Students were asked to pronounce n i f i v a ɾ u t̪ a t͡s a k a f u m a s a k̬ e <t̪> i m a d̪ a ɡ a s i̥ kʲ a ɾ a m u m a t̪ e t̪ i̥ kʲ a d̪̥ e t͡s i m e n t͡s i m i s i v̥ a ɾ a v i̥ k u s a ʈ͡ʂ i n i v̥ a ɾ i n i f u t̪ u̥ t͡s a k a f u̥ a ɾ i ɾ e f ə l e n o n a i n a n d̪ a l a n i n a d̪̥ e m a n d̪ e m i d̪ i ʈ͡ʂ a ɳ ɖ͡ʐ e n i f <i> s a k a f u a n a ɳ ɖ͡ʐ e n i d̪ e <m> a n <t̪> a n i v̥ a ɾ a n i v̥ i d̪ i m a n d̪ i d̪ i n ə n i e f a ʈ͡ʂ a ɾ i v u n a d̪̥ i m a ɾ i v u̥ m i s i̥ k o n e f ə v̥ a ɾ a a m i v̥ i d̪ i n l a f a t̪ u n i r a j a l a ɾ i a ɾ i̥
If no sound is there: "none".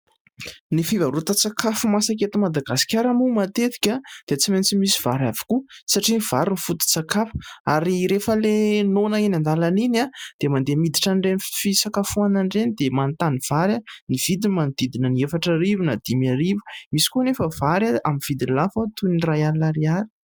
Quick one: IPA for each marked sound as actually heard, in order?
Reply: t̪, i, m, t̪

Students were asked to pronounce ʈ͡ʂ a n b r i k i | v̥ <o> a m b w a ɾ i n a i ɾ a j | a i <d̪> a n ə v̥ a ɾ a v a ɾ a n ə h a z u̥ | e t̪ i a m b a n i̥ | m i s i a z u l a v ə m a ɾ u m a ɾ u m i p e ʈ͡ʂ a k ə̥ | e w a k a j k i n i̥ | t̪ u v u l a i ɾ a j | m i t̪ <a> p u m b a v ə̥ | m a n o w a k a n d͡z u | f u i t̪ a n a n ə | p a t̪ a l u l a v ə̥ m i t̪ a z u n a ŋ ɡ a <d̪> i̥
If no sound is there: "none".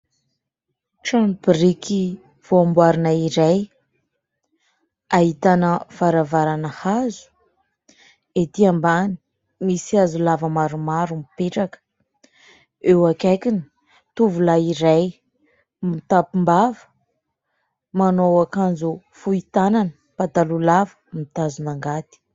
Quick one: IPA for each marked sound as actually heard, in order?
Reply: o, t̪, a, t̪

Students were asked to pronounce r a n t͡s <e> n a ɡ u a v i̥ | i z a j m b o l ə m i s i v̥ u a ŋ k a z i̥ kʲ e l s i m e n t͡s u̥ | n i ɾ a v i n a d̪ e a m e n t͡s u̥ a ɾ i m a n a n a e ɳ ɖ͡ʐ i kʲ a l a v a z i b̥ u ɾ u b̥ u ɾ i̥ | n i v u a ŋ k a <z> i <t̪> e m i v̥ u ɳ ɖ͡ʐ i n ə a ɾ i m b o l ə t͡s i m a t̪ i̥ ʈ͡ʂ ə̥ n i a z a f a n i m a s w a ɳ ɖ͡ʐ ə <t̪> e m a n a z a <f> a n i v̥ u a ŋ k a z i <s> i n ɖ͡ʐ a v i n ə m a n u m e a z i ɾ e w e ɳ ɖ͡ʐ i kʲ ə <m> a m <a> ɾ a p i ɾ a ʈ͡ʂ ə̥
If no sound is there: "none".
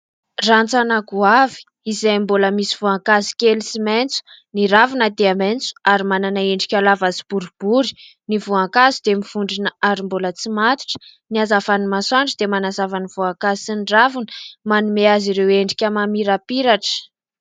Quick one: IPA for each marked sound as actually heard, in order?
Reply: a, z, d̪, d̪, v, s, m, i

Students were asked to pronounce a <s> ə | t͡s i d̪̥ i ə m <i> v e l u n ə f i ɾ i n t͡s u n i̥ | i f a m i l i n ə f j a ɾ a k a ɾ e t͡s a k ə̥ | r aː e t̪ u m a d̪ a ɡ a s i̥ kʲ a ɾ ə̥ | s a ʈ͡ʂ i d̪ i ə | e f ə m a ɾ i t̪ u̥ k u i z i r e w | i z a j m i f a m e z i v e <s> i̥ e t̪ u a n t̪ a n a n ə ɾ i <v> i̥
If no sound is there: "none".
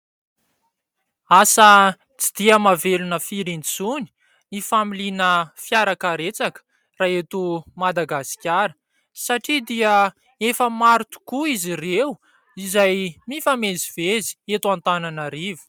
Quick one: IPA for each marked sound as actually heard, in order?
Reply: s, a, z, v

